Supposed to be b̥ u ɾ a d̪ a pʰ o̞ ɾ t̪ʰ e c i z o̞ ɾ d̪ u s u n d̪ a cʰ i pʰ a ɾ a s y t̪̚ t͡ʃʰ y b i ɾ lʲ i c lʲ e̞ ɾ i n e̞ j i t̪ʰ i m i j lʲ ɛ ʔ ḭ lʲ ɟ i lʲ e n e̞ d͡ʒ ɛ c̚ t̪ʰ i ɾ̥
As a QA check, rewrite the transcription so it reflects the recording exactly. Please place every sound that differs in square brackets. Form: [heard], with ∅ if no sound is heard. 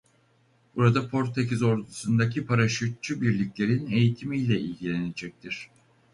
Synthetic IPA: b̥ u ɾ a d̪ a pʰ o̞ ɾ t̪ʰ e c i z o̞ ɾ d̪ u s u n d̪ a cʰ i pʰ a ɾ a [ʃ] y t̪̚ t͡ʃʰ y b i ɾ lʲ i c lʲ e̞ ɾ i n e̞ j i t̪ʰ i m i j lʲ ɛ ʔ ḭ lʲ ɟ i lʲ e n e̞ d͡ʒ ɛ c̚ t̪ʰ i ɾ̥